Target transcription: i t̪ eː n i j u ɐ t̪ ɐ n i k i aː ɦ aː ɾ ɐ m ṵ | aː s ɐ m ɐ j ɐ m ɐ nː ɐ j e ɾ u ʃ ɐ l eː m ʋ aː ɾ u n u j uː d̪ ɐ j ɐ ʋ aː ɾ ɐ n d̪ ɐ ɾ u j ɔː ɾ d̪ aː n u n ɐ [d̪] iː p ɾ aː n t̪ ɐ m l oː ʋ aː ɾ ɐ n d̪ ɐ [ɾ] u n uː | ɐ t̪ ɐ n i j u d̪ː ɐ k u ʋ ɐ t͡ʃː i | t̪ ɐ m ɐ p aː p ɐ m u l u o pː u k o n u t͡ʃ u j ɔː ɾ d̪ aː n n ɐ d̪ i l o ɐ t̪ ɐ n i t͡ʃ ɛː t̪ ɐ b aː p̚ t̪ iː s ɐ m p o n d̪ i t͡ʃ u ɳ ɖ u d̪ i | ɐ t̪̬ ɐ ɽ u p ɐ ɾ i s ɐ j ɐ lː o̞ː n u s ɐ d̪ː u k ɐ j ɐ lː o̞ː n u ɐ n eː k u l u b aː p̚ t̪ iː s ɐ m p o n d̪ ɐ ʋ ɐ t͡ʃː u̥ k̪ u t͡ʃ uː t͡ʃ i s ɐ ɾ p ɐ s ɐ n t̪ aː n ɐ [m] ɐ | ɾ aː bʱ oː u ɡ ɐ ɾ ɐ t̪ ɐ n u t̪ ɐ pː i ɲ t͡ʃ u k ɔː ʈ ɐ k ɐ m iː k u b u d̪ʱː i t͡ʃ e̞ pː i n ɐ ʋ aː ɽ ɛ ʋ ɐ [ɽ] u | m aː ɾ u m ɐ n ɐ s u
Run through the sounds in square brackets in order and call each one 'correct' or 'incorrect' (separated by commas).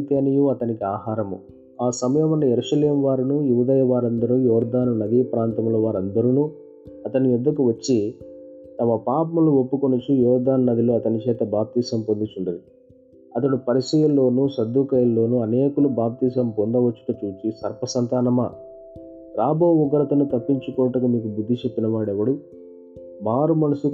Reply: correct, correct, correct, correct